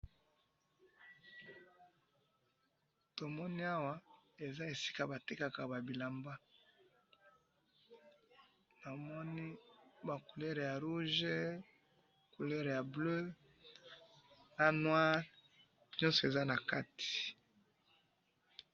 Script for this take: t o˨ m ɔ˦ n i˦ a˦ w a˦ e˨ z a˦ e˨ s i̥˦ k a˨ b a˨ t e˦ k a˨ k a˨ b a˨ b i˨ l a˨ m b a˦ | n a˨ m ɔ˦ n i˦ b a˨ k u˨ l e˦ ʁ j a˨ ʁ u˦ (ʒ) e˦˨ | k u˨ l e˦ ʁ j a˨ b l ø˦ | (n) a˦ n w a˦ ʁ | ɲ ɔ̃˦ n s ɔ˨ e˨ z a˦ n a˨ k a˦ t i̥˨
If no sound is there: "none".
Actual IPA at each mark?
ʒ, n

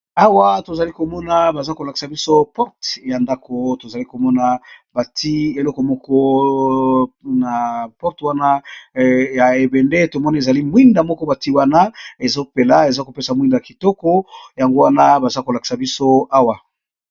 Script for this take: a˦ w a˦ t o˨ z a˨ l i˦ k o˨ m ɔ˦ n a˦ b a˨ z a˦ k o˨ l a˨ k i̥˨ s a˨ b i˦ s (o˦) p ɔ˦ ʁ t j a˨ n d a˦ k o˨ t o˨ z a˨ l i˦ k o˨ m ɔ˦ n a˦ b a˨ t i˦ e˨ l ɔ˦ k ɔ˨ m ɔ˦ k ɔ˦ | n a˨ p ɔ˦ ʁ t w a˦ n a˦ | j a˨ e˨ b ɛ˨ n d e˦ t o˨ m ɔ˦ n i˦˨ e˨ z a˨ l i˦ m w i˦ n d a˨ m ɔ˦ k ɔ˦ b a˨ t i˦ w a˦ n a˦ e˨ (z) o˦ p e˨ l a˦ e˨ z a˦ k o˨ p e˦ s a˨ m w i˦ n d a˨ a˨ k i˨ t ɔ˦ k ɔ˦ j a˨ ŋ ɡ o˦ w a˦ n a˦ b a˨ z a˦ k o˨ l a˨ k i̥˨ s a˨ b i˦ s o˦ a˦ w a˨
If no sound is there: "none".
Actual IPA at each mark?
o˦, z

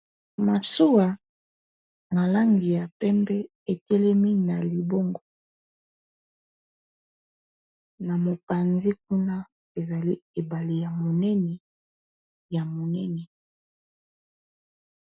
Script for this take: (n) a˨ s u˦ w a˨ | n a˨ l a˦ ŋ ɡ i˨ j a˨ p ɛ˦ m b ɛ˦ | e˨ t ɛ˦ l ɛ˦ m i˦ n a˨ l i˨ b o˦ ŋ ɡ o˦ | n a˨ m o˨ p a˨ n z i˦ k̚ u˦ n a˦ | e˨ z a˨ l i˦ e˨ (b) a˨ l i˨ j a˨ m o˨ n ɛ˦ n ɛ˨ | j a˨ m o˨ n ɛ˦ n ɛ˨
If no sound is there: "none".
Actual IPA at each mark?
m, b

